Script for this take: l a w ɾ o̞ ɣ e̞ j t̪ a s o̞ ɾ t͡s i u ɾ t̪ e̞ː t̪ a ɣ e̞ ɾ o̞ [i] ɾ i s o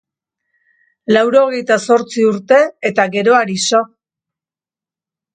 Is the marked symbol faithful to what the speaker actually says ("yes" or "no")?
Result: no